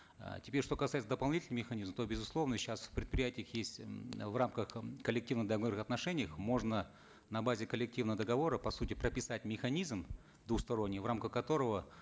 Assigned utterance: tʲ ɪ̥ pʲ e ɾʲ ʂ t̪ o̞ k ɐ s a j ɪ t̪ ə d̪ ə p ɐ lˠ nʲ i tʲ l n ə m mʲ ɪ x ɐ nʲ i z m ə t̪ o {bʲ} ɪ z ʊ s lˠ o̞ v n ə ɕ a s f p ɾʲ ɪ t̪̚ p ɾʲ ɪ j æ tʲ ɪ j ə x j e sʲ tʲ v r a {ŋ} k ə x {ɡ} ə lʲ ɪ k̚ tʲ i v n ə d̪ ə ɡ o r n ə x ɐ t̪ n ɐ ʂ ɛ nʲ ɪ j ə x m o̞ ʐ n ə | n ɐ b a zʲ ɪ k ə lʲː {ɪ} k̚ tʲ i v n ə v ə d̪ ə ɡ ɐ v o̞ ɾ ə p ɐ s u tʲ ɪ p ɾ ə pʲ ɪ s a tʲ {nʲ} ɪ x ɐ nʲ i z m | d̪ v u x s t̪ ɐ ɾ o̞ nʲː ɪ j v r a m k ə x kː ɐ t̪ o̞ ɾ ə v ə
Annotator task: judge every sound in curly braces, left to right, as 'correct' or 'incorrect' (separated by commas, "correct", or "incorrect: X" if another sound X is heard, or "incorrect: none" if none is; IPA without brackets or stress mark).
correct, incorrect: m, incorrect: k, correct, incorrect: mʲ